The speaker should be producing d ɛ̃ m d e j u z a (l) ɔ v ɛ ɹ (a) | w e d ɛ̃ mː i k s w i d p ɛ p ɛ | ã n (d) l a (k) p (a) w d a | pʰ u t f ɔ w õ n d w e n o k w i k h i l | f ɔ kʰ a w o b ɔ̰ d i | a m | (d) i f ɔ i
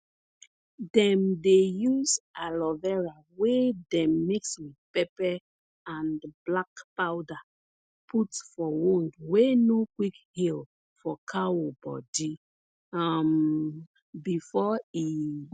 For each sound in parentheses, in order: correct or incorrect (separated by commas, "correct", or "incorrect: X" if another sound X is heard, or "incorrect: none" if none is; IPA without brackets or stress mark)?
correct, correct, incorrect: b, correct, correct, incorrect: b